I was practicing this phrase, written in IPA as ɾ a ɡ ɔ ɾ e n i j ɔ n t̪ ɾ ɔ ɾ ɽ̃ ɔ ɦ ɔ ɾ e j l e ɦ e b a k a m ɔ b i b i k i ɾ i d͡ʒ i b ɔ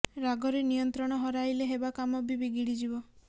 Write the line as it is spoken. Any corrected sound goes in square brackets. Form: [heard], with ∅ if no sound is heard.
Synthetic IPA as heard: ɾ a ɡ ɔ ɾ e n i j ɔ n t̪ ɾ ɔ [∅] ɽ̃ ɔ ɦ ɔ ɾ [a] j l e ɦ e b a k a m ɔ b i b i [ɡ] i [ɽ] i d͡ʒ i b ɔ